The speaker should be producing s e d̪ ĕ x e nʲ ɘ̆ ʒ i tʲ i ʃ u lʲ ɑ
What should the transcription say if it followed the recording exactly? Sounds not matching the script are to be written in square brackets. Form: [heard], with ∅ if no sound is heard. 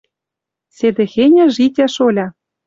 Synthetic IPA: s e d̪ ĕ x e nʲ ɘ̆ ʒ i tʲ [æ] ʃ [o] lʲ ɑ